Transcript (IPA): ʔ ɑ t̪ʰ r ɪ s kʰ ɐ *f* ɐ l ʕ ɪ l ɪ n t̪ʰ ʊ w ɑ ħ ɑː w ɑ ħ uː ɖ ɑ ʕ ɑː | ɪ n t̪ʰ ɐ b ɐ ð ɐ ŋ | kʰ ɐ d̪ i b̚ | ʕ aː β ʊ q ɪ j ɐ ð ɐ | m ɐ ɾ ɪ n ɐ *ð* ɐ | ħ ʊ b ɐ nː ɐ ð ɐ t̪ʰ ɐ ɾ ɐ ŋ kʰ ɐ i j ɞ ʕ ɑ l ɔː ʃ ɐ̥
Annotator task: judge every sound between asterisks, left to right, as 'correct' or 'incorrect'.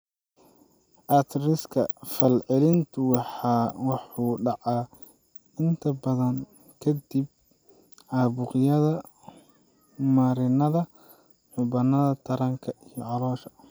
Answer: correct, correct

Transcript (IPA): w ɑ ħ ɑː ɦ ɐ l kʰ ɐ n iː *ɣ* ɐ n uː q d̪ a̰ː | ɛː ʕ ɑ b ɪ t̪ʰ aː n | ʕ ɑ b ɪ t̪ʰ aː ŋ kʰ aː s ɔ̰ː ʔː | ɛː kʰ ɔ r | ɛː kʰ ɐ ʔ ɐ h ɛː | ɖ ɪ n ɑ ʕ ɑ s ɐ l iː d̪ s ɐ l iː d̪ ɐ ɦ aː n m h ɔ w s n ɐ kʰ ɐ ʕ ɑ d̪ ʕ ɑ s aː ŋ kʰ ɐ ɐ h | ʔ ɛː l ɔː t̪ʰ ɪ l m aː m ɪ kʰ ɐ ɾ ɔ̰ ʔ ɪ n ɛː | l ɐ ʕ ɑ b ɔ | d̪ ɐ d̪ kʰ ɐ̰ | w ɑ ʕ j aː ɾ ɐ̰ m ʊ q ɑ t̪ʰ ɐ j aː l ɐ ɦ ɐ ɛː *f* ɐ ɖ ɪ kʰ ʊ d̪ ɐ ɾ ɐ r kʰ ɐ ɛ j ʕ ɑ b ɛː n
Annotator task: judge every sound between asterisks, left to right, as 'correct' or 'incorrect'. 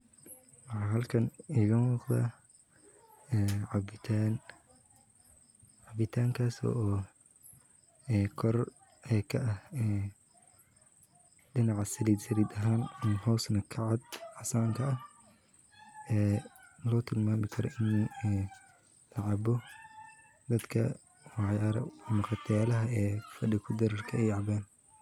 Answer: correct, correct

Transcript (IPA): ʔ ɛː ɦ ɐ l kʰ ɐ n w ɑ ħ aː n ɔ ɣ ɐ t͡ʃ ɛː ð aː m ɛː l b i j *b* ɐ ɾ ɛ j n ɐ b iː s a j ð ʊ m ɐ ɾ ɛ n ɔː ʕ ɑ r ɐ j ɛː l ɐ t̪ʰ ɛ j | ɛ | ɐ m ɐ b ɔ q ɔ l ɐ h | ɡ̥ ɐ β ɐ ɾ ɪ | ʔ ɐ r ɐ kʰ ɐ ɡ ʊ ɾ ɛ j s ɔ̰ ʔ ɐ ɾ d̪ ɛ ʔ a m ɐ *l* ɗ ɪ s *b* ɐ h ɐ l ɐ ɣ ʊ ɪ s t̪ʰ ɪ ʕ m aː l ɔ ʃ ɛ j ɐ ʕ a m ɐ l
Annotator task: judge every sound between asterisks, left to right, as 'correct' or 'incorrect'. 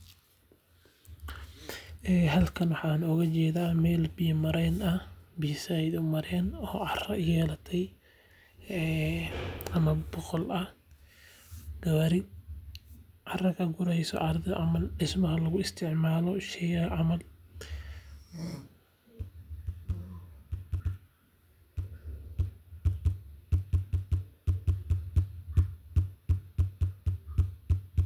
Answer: incorrect: m, correct, incorrect: m

